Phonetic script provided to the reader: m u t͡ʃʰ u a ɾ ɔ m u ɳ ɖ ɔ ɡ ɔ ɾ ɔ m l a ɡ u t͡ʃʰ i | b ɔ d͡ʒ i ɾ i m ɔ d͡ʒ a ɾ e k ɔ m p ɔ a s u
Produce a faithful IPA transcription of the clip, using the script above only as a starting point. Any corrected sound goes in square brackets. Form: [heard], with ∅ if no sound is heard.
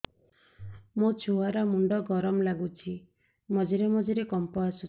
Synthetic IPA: m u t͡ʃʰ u a ɾ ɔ m u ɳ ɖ ɔ ɡ ɔ ɾ ɔ m l a ɡ u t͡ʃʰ i | [m] ɔ d͡ʒ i ɾ [e] m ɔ d͡ʒ [i] ɾ e k ɔ m p ɔ a s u

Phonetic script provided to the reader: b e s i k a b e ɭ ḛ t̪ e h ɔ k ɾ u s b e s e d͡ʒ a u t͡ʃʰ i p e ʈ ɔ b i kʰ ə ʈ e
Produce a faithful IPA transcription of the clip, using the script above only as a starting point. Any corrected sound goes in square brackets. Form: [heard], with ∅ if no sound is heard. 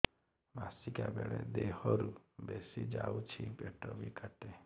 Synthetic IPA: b [a] s i k a b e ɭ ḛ [d̪] e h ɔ [∅] ɾ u [∅] b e s [i] d͡ʒ a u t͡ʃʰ i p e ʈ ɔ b i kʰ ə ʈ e

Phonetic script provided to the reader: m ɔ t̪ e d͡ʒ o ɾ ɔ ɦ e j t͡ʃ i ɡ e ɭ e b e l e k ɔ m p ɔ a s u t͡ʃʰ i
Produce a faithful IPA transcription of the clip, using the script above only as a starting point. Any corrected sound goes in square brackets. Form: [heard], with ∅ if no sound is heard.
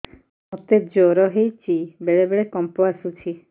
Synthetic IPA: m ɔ t̪ e d͡ʒ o ɾ ɔ ɦ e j t͡ʃ i [b] e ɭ e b e [ɭ] e k ɔ m p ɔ a s u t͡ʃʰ i

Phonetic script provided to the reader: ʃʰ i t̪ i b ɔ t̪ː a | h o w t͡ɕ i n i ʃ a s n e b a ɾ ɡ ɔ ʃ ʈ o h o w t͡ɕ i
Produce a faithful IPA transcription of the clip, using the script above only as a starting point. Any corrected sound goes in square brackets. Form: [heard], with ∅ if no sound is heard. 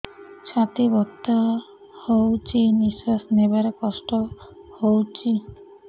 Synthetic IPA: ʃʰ [a] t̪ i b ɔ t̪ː a | h o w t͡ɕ i n i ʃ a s n e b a ɾ [k] ɔ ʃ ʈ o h o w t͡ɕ i

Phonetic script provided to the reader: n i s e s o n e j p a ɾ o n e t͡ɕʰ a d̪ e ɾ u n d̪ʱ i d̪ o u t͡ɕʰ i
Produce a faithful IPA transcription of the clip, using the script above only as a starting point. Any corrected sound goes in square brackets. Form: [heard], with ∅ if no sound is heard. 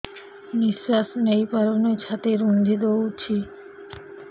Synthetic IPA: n i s [a] s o n e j p a ɾ o n e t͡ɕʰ a [t̪] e ɾ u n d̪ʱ i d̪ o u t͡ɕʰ i

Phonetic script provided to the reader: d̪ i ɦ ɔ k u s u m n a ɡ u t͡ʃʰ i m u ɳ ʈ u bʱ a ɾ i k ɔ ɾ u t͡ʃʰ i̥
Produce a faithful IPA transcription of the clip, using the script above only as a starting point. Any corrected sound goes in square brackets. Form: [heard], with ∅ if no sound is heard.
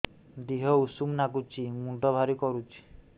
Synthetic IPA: d̪ i ɦ ɔ [∅] u s u m n a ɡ u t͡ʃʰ i m u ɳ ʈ [ɔ] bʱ a ɾ i k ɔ ɾ u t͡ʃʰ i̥

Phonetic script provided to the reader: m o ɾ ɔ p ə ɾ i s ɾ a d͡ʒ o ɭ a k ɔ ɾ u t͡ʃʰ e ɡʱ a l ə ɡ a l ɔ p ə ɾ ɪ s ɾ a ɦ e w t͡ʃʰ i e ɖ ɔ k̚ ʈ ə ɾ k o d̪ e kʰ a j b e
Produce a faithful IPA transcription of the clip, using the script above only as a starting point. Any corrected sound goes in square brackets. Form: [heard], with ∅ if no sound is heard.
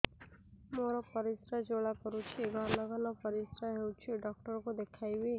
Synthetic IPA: m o ɾ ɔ p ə ɾ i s ɾ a d͡ʒ o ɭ a k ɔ ɾ u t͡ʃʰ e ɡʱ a l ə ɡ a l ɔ p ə ɾ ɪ s ɾ a ɦ e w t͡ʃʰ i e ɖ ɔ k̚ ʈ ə ɾ k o d̪ e kʰ a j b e

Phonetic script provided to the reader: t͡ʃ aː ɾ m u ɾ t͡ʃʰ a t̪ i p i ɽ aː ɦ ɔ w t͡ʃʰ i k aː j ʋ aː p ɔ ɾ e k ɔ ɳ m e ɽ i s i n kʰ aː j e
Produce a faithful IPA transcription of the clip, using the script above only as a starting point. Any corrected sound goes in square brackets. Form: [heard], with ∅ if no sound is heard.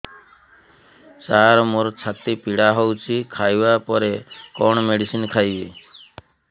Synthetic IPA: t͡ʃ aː ɾ m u ɾ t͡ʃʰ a t̪ i p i ɽ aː ɦ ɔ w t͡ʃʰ i [kʰ] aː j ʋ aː p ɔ ɾ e k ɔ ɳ m e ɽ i s i n kʰ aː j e

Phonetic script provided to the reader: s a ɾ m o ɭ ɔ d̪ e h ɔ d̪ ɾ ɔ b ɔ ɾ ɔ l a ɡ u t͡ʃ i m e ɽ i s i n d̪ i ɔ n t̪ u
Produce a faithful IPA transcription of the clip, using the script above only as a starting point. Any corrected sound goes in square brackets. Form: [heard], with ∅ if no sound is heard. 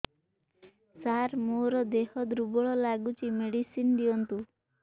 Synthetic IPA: s a ɾ m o [ɾ] ɔ d̪ e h ɔ d̪ ɾ [u] b ɔ [ɭ] ɔ l a ɡ u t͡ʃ i m e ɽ i s i n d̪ i ɔ n t̪ u

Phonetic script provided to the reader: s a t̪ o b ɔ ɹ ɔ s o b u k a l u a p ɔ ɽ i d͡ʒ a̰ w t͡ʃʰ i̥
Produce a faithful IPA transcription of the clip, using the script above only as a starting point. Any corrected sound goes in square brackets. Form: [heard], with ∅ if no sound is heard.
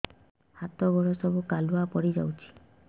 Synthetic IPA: [h] a t̪ [ɔ] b ɔ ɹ ɔ s [ɔ] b u k a l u a p ɔ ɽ i d͡ʒ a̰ w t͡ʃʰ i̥

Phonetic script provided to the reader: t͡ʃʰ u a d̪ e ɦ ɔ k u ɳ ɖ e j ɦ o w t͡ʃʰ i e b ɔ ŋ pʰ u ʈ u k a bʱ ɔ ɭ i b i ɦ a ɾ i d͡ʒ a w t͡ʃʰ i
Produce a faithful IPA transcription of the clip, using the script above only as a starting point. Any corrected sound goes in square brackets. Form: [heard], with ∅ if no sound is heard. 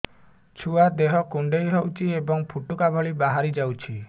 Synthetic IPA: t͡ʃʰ u a d̪ e ɦ ɔ k u ɳ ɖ e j ɦ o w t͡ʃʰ i e b ɔ ŋ pʰ u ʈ u k a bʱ ɔ ɭ i b [a] ɦ a ɾ i d͡ʒ a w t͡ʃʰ i

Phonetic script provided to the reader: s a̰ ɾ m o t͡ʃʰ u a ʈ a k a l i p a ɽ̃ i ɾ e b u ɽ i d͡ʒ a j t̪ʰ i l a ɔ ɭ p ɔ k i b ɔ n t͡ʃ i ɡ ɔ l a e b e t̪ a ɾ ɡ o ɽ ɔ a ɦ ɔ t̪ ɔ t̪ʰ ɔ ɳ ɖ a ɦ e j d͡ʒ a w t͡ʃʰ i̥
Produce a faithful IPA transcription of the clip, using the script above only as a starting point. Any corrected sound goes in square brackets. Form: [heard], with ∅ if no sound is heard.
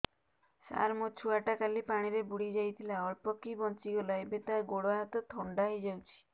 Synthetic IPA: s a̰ ɾ m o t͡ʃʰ u a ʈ a k a l i p a ɽ̃ i ɾ e b u ɽ i d͡ʒ a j t̪ʰ i l a ɔ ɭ p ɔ k i b ɔ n t͡ʃ i ɡ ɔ l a e b e t̪ a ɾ ɡ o ɽ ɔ a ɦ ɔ t̪ ɔ t̪ʰ ɔ ɳ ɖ a ɦ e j d͡ʒ a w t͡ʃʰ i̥

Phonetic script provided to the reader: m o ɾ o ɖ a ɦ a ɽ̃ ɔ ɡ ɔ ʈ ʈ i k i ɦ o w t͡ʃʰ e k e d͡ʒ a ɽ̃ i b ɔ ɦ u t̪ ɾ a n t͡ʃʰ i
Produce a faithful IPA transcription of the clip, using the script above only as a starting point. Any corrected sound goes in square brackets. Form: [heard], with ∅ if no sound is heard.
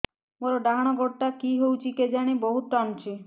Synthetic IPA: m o ɾ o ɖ a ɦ a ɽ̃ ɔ ɡ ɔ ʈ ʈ [a] k i ɦ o w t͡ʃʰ [i] k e d͡ʒ a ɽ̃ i b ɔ ɦ u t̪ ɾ a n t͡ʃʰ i

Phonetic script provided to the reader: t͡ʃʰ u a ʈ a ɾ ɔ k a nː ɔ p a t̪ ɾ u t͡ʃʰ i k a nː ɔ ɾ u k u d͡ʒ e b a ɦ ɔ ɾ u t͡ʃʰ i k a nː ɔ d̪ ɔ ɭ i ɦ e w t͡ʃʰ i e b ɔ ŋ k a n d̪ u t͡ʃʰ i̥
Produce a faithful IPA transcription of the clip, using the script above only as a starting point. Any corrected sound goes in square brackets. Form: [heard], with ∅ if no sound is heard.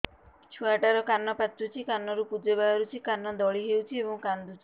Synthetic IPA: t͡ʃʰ u a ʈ a ɾ ɔ k a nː ɔ p a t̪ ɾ u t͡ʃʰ i k a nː ɔ ɾ u [p] u d͡ʒ e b a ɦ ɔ ɾ u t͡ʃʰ i k a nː ɔ d̪ ɔ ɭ i ɦ e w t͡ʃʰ i e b ɔ ŋ k a n d̪ u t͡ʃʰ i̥

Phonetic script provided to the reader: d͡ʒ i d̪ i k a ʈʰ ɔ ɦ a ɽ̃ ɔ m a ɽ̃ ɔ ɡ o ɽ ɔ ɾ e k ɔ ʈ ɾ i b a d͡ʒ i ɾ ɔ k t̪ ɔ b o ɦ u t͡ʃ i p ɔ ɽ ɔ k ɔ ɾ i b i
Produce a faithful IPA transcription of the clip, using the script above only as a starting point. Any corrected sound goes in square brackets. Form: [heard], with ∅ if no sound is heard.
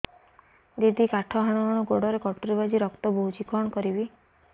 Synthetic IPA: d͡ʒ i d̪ i k a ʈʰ ɔ ɦ a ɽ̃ ɔ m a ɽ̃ ɔ ɡ o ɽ ɔ ɾ e k ɔ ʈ ɾ i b a d͡ʒ i ɾ ɔ k t̪ ɔ b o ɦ u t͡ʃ i [k] ɔ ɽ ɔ k ɔ ɾ i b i

